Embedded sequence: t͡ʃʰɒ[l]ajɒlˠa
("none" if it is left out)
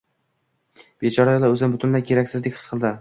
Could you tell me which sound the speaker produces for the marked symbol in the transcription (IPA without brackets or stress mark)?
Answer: ɾ